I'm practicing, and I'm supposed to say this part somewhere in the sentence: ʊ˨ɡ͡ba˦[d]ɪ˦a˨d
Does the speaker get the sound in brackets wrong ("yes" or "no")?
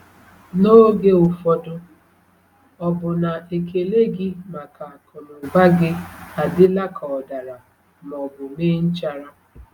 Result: yes